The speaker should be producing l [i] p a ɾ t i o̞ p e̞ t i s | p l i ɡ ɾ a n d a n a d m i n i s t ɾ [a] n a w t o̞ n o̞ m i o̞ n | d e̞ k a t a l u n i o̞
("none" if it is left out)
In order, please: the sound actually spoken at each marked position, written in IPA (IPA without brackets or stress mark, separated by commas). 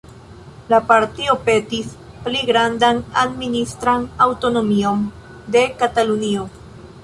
a, a